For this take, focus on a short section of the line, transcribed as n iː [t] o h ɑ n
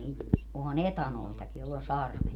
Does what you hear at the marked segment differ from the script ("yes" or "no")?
no